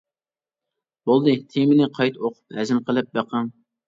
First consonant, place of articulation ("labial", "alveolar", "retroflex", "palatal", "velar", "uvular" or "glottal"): labial